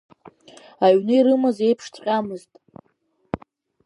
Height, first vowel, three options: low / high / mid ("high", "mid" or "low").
low